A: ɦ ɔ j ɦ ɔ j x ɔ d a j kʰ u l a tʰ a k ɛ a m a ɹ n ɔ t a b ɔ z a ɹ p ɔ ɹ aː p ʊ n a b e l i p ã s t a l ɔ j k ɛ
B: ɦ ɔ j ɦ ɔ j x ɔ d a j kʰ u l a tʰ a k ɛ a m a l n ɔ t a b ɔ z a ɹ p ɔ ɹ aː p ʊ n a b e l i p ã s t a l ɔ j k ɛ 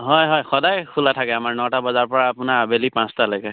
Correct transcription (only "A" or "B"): A